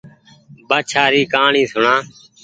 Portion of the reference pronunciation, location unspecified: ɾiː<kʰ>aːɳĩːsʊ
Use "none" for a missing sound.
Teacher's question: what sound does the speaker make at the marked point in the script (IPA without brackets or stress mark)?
k